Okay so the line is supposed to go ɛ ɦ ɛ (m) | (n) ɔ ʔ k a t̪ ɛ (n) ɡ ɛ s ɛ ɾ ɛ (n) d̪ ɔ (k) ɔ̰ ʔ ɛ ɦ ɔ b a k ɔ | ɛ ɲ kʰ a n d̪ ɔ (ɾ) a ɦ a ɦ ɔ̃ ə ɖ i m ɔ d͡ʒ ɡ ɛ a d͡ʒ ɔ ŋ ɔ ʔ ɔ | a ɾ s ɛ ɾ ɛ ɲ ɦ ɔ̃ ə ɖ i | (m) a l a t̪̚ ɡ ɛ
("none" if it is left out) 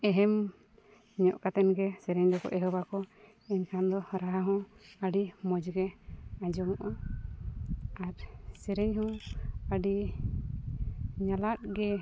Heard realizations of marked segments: m, ɲ, n, ɲ, k, ɾ, ɲ

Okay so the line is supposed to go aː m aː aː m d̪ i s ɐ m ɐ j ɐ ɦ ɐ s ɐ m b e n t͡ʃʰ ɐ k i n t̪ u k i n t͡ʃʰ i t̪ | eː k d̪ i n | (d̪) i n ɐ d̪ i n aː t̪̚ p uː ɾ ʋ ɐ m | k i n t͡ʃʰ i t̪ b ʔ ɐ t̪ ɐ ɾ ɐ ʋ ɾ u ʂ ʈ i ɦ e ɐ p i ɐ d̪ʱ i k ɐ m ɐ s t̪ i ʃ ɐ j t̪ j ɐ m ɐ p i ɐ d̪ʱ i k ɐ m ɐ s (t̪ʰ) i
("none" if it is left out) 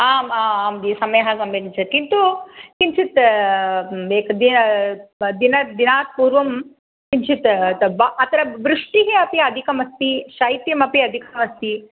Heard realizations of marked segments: d̪, t̪

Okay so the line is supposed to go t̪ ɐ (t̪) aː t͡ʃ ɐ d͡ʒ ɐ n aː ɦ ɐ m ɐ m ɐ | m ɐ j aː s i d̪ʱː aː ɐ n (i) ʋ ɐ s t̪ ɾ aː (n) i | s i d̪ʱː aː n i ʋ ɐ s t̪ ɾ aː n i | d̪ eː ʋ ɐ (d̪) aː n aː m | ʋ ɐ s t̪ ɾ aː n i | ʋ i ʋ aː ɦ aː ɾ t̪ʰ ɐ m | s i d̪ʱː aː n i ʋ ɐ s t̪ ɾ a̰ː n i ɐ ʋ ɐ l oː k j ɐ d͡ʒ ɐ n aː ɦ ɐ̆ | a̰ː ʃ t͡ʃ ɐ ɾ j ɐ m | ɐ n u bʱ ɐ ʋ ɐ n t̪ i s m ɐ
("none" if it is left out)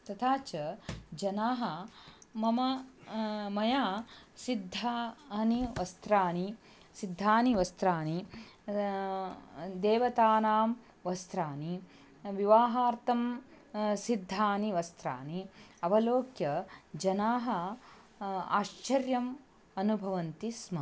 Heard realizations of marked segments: t̪ʰ, i, n, t̪

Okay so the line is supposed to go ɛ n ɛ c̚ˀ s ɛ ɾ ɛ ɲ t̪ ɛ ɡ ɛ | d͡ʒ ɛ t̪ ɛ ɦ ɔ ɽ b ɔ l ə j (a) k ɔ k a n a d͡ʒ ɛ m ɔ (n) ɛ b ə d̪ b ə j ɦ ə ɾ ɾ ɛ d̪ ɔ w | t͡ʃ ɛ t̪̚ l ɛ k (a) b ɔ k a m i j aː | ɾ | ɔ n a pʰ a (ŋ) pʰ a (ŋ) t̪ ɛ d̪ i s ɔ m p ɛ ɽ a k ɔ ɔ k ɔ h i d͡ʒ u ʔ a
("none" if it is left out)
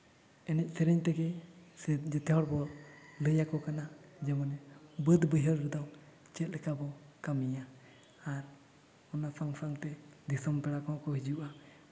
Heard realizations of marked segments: a, n, a, ŋ, ŋ

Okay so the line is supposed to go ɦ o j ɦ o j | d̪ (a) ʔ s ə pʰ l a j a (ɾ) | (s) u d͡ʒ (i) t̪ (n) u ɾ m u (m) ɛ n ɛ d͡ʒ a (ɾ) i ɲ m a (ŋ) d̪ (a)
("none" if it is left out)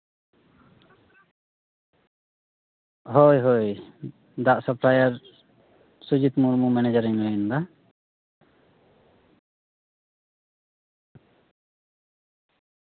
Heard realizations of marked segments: a, ɾ, s, i, m, m, ɾ, n, a

